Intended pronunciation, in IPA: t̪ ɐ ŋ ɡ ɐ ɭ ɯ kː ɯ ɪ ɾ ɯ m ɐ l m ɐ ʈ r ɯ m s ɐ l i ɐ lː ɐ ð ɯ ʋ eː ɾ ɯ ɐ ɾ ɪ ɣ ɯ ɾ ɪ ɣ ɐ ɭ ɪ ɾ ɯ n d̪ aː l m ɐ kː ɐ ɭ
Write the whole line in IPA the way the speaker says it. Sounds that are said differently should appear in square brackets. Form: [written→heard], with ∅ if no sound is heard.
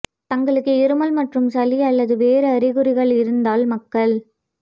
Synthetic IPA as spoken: t̪ ɐ ŋ ɡ ɐ ɭ ɯ kː ɯ ɪ ɾ ɯ m ɐ l m ɐ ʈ r ɯ m s ɐ l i ɐ lː ɐ ð ɯ ʋ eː ɾ ɯ ɐ ɾ ɪ ɣ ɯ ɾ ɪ ɣ ɐ ɭ ɪ ɾ ɯ n d̪ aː l m ɐ kː ɐ ɭ